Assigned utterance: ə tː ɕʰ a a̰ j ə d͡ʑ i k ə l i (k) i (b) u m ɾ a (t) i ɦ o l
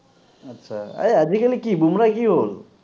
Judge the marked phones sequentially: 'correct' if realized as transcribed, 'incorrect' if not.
correct, correct, incorrect

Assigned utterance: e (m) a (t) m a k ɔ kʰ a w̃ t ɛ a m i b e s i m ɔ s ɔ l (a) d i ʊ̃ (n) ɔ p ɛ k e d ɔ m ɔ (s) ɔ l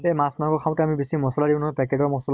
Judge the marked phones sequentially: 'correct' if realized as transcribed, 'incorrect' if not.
correct, incorrect, correct, correct, correct

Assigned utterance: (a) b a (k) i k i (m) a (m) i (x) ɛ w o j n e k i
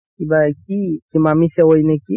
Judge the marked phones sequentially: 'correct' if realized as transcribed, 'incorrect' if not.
incorrect, correct, correct, correct, incorrect

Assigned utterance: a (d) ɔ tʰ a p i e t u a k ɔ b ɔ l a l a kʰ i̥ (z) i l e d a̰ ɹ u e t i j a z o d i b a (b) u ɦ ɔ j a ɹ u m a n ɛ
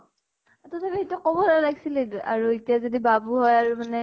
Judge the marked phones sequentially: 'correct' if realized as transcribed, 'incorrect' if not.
incorrect, incorrect, correct

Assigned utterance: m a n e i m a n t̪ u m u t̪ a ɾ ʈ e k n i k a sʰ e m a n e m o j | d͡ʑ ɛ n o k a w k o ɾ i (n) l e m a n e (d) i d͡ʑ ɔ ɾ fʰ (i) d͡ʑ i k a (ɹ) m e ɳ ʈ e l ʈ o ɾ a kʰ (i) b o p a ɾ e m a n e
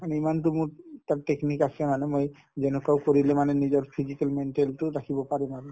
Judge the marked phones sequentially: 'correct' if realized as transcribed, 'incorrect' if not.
incorrect, incorrect, correct, incorrect, correct

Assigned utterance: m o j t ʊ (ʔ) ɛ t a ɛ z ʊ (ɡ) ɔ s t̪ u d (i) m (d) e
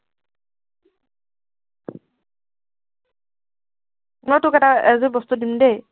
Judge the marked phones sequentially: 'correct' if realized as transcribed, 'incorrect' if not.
incorrect, incorrect, correct, correct

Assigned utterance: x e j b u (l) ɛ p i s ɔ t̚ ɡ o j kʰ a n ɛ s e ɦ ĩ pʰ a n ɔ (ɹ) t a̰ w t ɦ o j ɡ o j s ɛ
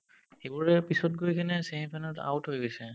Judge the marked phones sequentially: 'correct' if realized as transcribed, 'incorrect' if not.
incorrect, incorrect

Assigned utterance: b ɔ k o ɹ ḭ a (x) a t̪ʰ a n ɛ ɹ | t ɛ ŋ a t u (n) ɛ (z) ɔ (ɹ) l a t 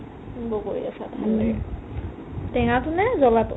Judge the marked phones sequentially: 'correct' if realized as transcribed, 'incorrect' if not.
incorrect, correct, correct, incorrect

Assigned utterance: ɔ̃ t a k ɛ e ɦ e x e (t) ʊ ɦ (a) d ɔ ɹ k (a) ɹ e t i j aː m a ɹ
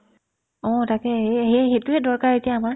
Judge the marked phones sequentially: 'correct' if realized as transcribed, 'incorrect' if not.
correct, incorrect, correct

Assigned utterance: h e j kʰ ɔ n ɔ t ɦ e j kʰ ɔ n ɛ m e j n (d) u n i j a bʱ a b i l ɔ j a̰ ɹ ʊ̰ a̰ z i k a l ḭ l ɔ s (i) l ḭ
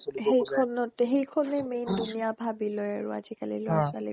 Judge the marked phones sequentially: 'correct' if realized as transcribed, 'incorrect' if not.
correct, incorrect

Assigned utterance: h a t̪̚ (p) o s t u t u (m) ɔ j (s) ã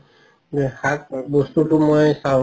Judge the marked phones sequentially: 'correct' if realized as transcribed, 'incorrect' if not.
incorrect, correct, correct

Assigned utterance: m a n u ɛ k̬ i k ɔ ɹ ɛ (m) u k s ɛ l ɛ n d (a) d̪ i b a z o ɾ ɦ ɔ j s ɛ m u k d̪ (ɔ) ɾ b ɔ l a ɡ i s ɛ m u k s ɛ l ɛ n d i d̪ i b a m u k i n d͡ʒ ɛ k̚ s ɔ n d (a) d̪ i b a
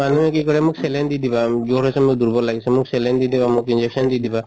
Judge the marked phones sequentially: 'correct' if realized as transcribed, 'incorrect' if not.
correct, incorrect, incorrect, incorrect

